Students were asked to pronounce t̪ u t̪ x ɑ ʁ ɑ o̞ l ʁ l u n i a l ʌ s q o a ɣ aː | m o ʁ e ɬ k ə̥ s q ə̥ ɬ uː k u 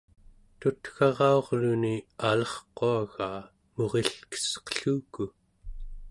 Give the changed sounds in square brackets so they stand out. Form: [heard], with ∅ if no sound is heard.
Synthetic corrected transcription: t̪ u t̪ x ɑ ʁ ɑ o̞ [∅] ʁ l u n i a l ʌ [χ] q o a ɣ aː | m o ʁ e ɬ k ə̥ s q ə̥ ɬ uː k u